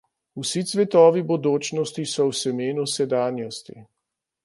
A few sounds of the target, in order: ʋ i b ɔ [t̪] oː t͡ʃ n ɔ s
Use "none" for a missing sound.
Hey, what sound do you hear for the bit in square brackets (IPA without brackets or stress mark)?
d̪